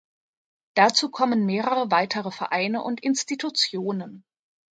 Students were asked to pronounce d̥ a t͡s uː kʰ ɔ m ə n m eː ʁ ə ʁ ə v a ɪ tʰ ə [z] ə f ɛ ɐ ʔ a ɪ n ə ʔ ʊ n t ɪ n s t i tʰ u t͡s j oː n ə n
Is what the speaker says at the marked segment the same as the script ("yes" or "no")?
no